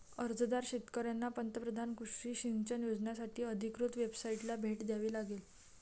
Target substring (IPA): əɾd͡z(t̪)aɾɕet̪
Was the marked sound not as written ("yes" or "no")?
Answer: yes